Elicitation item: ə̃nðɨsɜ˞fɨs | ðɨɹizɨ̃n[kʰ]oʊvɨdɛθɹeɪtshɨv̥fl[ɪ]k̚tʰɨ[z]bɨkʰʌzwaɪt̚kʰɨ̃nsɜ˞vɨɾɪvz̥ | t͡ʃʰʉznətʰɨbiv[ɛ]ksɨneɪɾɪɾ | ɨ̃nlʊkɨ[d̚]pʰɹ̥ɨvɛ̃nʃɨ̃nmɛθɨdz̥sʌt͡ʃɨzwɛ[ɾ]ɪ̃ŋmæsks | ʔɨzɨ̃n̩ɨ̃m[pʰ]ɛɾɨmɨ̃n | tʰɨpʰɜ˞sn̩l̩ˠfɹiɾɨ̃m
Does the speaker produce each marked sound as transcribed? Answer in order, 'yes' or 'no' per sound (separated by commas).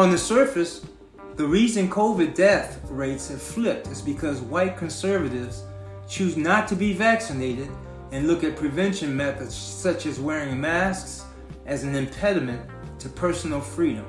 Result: yes, yes, yes, no, no, no, yes